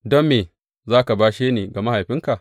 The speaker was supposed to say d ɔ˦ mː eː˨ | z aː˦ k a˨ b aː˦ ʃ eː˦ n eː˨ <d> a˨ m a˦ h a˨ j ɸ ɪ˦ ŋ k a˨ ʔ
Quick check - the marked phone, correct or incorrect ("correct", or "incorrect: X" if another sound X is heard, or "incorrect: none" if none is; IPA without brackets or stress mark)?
incorrect: ɡ